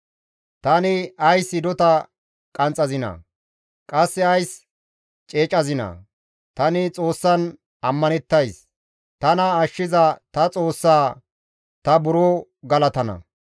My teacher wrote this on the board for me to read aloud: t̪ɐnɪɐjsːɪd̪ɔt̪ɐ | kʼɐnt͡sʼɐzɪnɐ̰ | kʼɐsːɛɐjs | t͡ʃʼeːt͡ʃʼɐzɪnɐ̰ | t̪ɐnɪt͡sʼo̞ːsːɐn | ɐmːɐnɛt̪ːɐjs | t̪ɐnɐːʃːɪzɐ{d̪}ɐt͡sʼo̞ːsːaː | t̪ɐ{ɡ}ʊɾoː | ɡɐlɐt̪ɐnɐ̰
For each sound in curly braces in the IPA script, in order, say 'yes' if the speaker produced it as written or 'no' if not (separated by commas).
no, no